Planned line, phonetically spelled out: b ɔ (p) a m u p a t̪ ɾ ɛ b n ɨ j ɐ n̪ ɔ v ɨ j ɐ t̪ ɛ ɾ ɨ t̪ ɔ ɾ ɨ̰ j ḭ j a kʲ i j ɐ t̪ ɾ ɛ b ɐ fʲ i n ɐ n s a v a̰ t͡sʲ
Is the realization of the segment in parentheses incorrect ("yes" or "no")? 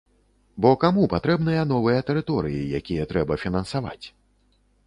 yes